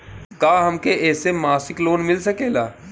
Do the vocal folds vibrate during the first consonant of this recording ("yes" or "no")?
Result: no